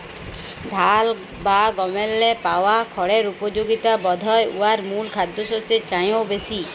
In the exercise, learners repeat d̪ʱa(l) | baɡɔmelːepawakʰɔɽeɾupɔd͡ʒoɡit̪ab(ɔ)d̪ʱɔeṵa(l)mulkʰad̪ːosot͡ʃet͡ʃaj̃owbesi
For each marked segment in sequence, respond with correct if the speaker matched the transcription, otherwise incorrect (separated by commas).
correct, correct, incorrect